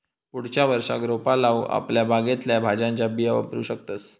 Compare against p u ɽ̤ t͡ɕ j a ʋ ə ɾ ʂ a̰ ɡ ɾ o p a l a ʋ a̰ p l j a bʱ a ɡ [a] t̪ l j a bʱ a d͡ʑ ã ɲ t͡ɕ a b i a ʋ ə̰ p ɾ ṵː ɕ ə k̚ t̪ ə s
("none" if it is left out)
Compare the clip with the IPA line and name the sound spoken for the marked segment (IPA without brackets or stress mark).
e